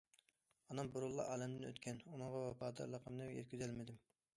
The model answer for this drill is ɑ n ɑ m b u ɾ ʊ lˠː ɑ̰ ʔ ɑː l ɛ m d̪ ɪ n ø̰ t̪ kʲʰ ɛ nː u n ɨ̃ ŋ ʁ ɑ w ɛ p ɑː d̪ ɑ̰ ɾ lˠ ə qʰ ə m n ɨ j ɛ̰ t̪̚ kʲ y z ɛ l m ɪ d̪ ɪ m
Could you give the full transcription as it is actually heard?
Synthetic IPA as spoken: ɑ n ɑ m b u ɾ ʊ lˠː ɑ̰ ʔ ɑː l ɛ m d̪ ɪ n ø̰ t̪ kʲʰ ɛ n u n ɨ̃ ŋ ʁ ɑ w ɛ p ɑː d̪ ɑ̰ ɾ lˠ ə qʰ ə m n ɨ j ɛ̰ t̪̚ kʲ y z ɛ l m ɪ d̪ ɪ m